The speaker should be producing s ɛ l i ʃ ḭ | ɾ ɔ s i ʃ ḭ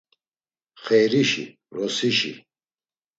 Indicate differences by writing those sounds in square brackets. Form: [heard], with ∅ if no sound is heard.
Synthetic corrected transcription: [χ] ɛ [ɾ] i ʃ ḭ | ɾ ɔ s i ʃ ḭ